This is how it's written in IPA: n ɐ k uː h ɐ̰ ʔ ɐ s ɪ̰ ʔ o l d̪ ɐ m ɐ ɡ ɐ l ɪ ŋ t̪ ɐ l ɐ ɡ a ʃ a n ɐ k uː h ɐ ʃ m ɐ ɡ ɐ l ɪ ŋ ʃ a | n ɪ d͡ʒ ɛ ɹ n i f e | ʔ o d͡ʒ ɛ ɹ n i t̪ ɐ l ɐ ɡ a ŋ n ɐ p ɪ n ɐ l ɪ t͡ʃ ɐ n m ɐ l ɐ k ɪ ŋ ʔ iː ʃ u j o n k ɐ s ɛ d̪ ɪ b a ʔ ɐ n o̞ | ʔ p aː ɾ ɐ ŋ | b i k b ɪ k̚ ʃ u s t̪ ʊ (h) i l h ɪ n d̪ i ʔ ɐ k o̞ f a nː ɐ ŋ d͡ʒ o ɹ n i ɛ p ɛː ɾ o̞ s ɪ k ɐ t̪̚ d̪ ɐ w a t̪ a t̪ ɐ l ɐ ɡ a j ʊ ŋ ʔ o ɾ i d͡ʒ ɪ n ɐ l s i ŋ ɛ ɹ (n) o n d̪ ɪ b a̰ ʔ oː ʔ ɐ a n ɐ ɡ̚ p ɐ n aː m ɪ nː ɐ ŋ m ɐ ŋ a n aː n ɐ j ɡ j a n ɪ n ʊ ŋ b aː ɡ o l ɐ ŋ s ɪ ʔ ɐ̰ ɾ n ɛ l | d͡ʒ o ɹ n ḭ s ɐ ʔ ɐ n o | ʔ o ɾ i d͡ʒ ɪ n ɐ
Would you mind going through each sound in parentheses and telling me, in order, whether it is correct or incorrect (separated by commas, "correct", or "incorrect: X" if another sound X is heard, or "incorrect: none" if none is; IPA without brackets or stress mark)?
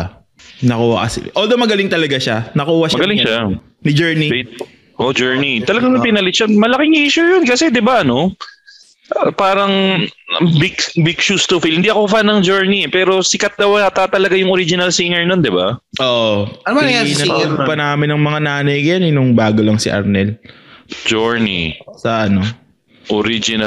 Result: incorrect: f, correct